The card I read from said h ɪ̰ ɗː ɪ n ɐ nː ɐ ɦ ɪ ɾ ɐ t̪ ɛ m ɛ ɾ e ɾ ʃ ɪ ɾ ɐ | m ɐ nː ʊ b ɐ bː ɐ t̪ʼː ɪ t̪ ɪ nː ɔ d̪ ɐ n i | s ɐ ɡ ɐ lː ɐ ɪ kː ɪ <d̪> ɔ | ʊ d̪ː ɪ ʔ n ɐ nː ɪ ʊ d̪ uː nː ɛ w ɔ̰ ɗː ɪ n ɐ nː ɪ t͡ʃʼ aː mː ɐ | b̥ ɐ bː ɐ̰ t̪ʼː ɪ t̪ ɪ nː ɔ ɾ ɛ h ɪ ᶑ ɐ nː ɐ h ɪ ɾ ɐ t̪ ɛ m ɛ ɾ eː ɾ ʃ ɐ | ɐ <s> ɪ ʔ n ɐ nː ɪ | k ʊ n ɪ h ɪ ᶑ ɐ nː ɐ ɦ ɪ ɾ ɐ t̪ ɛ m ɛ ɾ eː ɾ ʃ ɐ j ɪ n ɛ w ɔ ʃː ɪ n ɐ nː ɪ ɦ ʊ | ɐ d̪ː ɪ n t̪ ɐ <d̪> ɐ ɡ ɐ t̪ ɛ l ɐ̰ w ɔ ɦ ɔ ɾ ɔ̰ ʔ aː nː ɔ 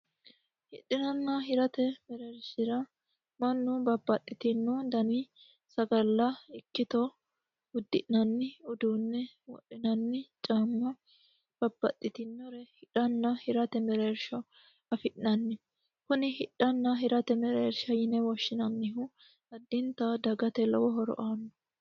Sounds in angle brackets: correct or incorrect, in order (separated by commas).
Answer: incorrect, incorrect, correct